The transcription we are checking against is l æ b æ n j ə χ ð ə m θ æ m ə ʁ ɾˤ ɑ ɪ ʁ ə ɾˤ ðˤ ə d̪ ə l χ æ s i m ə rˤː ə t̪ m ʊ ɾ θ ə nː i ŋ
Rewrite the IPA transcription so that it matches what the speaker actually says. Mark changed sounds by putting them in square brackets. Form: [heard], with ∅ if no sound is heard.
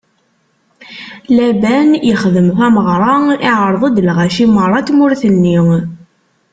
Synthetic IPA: l æ b æ n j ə χ ð ə m θ æ m ə ʁ ɾˤ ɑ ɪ [ʕ] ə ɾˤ ðˤ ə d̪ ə l [ʁ] æ [ʃ] i m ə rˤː [ɑ] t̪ m ʊ ɾ θ ə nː i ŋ